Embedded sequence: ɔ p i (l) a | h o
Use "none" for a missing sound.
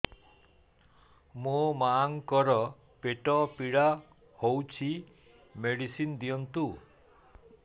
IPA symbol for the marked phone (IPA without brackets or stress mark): ɽ